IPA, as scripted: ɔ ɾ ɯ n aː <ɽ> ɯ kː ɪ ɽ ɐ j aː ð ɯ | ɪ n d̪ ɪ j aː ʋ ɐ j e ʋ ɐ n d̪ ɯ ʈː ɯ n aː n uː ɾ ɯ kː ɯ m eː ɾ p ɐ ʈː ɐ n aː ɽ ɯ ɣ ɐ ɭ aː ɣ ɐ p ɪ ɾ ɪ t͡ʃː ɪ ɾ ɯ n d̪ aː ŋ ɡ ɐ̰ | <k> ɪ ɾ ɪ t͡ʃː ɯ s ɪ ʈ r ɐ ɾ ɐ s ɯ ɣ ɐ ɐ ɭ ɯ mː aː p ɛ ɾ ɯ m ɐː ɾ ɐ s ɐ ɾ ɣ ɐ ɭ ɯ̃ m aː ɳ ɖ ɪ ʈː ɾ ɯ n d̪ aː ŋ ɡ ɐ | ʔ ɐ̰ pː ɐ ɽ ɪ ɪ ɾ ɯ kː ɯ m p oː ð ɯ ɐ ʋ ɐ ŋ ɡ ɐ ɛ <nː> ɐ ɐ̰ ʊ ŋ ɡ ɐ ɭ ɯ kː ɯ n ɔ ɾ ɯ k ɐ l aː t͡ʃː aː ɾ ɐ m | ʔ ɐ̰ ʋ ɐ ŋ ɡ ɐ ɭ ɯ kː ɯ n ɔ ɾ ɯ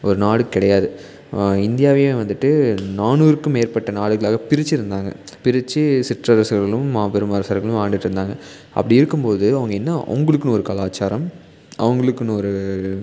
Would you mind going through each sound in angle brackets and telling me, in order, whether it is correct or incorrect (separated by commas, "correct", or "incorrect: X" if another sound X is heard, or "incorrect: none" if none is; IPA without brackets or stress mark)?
correct, incorrect: p, correct